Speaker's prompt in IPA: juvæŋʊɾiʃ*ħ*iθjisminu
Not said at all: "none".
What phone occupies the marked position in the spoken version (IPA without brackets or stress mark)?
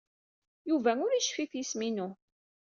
f